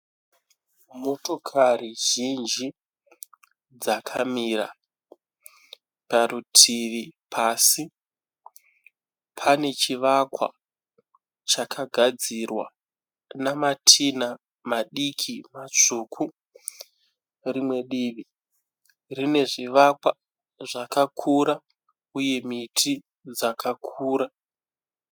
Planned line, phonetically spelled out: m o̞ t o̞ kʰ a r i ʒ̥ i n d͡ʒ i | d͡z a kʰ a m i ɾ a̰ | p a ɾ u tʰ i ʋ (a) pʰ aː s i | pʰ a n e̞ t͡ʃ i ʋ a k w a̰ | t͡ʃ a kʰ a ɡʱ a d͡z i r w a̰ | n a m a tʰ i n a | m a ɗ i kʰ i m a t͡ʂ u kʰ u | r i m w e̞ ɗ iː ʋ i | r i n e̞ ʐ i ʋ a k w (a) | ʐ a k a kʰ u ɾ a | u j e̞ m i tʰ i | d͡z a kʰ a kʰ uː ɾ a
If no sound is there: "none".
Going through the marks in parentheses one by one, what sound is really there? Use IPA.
i, a

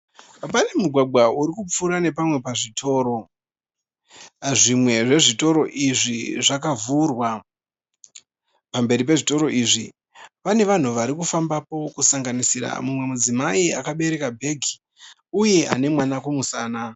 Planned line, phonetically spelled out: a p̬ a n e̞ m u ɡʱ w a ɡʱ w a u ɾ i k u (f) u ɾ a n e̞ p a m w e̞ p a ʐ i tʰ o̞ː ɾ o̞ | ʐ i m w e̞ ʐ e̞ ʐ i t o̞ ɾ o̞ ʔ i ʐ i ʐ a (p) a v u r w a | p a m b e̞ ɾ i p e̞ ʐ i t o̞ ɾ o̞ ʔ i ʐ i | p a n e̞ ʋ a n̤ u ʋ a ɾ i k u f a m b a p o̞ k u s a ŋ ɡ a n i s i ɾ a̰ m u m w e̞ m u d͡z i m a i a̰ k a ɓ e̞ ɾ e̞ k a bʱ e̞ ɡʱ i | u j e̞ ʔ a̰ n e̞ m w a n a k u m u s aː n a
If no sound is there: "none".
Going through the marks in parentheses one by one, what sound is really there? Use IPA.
p͡f, k

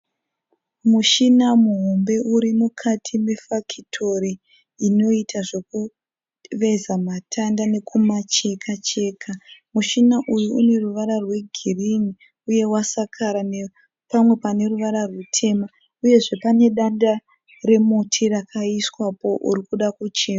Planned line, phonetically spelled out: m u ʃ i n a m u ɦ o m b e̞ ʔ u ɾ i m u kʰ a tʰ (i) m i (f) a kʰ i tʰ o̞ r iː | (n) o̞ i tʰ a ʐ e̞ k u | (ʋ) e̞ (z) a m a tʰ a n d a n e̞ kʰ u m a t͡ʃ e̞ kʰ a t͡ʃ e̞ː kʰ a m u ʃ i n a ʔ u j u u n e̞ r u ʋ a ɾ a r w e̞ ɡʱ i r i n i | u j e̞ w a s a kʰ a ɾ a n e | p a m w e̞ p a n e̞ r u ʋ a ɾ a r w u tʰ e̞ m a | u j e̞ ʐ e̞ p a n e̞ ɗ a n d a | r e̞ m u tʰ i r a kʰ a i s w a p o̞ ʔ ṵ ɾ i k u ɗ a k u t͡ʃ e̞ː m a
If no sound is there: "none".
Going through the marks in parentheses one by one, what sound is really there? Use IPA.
i, f, n, ʋ, z

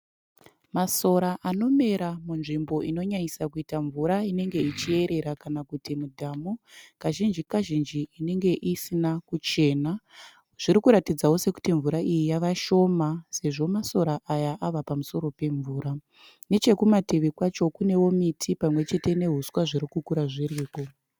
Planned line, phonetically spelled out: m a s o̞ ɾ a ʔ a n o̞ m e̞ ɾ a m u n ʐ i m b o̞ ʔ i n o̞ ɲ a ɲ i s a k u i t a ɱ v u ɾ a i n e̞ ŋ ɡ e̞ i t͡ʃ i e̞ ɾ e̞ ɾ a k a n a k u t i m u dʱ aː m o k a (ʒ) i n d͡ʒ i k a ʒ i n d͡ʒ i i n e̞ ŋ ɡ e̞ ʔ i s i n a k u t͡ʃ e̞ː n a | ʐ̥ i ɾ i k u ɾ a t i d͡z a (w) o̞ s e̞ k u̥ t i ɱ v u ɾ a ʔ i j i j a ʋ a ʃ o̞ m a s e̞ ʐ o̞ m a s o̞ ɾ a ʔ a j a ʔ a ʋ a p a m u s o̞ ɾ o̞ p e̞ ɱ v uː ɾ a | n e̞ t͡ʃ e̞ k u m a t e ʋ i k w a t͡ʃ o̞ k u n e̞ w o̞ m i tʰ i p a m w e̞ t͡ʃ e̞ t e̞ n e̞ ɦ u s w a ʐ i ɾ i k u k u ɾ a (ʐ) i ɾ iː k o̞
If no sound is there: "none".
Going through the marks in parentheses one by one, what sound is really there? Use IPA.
ʒ, w, ʐ

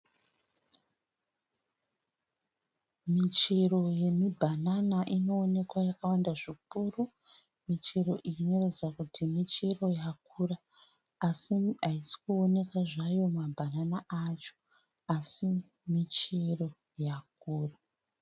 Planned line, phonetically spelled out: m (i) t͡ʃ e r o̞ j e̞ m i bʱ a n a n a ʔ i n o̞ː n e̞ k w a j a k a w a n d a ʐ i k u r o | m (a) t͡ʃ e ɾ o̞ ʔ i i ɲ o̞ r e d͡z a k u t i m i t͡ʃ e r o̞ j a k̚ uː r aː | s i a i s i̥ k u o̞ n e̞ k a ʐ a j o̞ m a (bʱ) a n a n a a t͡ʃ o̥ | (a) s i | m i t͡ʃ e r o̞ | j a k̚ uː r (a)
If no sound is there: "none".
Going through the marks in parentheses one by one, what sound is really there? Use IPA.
i, i, bʱ, a, a

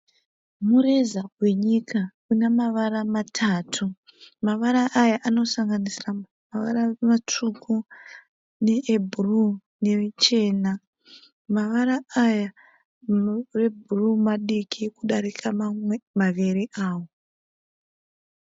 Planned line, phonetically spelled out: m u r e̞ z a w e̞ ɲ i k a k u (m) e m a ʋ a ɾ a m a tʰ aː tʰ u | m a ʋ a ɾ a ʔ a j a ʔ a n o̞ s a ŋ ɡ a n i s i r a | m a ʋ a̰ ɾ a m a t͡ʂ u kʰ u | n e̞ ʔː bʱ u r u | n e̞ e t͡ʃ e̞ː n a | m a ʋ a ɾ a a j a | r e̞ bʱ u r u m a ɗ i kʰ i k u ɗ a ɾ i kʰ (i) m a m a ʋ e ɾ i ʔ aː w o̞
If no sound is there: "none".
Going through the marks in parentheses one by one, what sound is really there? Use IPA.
n, a

